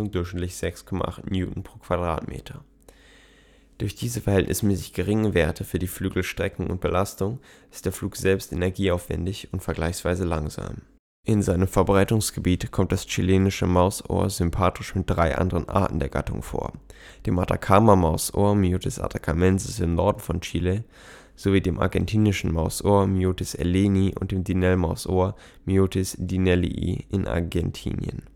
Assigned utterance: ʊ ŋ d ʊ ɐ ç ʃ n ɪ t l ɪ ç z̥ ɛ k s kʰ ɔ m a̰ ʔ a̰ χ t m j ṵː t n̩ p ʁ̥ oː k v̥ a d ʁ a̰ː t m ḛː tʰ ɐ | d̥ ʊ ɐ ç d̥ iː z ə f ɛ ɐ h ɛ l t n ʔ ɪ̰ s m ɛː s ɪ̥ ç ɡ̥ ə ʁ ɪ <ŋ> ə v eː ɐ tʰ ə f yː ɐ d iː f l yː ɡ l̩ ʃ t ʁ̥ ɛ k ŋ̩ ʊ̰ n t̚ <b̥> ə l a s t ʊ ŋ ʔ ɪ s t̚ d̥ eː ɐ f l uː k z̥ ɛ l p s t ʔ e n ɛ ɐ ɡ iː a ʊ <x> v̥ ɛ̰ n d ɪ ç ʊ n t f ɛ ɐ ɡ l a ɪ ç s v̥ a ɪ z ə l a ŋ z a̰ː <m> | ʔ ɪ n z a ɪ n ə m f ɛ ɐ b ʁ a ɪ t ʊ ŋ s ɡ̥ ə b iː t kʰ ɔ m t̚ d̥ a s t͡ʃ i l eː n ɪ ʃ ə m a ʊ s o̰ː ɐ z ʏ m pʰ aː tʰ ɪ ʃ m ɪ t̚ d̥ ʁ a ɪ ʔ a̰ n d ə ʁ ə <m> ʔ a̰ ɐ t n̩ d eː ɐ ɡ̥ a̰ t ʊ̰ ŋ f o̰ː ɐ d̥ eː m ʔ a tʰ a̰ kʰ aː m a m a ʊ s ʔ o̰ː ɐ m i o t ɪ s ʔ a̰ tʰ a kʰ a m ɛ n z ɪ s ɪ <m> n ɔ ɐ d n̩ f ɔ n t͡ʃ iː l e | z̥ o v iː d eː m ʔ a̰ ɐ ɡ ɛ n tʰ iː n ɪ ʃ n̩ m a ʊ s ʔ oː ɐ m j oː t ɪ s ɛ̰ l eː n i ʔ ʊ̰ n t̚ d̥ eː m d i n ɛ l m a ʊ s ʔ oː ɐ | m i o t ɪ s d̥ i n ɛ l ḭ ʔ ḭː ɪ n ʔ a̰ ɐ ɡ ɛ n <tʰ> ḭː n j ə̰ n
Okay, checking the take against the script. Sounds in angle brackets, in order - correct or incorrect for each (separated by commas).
correct, correct, incorrect, correct, incorrect, correct, correct